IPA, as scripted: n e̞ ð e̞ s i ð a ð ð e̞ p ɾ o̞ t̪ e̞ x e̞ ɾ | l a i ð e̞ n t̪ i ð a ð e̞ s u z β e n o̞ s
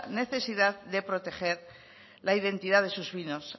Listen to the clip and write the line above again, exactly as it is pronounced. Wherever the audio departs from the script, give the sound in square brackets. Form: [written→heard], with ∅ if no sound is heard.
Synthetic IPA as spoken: n e̞ [ð→θ] e̞ s i ð a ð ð e̞ p ɾ o̞ t̪ e̞ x e̞ ɾ | l a i ð e̞ n t̪ i ð a ð e̞ s u z β [e→i] n o̞ s